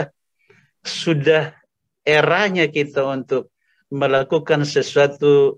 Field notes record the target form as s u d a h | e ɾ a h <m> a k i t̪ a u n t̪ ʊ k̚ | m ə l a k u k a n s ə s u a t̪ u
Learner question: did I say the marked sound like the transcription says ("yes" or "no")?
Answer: no